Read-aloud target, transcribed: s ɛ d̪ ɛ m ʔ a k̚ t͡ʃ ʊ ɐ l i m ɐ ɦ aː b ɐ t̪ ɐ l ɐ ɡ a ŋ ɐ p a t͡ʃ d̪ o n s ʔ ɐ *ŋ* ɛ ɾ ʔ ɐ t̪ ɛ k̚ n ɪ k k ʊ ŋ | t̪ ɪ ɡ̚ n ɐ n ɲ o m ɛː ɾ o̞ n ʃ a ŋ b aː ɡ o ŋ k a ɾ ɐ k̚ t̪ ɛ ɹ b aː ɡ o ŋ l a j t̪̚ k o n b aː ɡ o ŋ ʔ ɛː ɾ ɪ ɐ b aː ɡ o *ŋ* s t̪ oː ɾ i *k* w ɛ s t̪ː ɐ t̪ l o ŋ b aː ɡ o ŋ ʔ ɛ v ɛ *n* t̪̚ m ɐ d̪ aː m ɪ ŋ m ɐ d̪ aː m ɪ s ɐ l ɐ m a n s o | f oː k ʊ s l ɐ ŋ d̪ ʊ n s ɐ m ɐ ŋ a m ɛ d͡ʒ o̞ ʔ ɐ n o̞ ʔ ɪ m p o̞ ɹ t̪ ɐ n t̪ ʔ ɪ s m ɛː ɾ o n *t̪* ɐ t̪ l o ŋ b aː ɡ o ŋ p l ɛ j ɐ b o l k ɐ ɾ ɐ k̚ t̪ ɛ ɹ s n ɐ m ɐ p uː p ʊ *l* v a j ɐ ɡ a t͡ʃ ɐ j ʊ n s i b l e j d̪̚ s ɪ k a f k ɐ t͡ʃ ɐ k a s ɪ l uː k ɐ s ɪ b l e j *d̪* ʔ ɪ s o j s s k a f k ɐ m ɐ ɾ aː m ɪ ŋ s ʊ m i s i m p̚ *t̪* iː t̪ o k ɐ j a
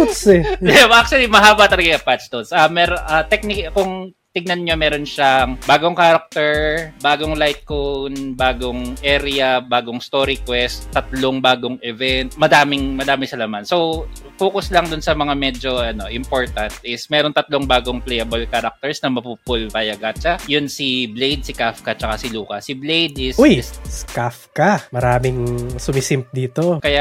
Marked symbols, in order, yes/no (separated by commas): no, yes, yes, yes, yes, yes, yes, no